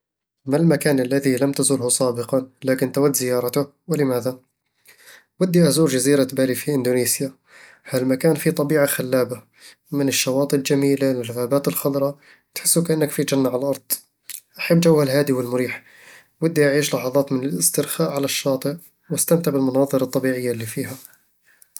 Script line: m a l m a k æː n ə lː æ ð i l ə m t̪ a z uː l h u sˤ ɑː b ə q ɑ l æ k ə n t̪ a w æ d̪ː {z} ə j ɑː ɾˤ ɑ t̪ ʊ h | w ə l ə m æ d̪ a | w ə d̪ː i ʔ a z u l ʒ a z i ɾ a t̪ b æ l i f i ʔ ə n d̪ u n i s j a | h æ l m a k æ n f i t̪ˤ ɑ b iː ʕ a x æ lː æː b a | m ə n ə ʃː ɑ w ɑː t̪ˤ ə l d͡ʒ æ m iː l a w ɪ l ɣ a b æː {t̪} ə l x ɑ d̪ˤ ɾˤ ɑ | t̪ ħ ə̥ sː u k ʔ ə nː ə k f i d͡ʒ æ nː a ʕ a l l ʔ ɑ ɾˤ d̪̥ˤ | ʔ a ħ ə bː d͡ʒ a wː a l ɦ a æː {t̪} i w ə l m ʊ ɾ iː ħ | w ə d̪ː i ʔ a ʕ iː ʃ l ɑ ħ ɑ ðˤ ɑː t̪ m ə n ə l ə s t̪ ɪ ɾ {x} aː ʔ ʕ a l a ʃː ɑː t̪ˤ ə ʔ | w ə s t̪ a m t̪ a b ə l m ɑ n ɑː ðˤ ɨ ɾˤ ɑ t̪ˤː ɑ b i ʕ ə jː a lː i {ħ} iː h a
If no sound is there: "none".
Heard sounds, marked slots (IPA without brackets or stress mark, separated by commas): z, t̪, d̪, x, f